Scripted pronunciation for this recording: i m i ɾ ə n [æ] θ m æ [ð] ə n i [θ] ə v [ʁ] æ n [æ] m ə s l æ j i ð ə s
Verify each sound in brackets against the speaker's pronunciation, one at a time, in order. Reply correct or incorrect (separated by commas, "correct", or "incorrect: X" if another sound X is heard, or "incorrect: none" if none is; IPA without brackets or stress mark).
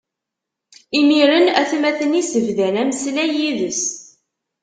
correct, incorrect: θ, incorrect: s, incorrect: ð, correct